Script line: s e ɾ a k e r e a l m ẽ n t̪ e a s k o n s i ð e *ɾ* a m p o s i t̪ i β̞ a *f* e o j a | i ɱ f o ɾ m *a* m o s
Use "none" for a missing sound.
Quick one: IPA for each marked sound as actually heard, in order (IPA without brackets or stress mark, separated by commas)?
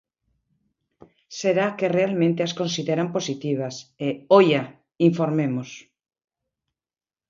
ɾ, s, e